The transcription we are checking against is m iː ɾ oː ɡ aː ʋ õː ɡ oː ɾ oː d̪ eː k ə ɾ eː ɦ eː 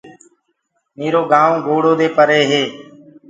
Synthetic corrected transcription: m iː ɾ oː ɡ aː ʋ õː ɡ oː ɽ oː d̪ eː p ə ɾ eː ɦ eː